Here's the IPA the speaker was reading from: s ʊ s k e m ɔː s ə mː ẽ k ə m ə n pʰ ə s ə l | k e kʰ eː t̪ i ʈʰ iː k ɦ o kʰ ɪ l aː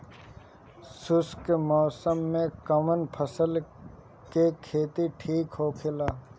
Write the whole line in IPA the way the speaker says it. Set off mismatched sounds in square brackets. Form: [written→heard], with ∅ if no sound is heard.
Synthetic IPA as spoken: s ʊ s k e m ɔː s ə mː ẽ k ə m ə n pʰ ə s ə l | k e kʰ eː t̪ i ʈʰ iː k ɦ o kʰ ɪ l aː